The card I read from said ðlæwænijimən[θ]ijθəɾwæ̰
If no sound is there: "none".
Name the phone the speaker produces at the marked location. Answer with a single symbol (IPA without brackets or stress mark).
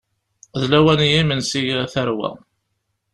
s